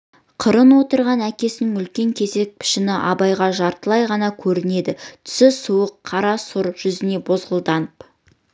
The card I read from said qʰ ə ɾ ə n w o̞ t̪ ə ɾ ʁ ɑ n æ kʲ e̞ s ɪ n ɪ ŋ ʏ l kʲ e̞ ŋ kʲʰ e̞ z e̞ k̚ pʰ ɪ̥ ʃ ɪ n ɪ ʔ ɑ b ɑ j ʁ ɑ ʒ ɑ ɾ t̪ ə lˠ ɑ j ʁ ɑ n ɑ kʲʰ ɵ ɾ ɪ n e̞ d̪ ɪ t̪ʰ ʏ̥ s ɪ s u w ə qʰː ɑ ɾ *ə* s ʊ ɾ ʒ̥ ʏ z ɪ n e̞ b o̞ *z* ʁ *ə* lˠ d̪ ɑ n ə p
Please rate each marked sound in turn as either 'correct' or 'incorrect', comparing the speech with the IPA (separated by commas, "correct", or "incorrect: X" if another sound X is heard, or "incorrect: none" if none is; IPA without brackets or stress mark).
incorrect: ɑ, correct, correct